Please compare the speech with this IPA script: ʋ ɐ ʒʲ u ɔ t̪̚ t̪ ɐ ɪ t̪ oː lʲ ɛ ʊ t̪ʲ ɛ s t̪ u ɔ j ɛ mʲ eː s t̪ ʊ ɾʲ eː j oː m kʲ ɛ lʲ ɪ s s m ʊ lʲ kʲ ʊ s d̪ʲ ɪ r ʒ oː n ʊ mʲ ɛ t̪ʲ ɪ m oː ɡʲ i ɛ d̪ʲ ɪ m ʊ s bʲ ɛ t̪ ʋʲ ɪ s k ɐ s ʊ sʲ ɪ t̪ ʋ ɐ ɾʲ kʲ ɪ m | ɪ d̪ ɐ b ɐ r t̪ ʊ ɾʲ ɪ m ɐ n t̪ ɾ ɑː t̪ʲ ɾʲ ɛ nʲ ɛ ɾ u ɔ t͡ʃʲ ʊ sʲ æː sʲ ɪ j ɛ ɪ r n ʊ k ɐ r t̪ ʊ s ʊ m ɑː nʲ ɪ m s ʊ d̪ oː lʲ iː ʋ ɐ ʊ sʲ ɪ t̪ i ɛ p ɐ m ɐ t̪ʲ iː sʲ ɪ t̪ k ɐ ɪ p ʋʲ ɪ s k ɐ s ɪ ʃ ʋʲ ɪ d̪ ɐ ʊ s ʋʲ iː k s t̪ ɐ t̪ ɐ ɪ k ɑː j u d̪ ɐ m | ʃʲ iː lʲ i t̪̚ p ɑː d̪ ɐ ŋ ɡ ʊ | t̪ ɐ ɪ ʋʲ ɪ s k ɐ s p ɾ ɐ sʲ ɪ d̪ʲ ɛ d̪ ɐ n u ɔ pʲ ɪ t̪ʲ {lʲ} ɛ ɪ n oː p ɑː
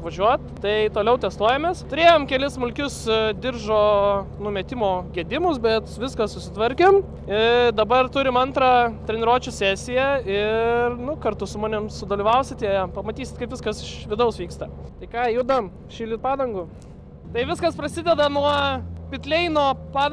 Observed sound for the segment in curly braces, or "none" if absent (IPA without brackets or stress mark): lʲ